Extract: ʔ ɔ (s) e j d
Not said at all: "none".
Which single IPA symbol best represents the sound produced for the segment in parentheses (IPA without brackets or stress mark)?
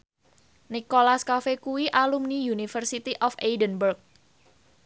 f